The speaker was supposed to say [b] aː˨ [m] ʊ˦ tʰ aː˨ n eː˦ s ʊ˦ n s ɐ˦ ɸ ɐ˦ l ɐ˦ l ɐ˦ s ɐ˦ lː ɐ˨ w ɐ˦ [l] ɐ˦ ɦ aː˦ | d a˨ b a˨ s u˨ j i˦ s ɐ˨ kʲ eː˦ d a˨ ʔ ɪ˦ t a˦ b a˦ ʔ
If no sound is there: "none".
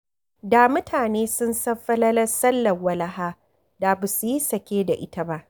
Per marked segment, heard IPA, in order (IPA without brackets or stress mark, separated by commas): d, m, l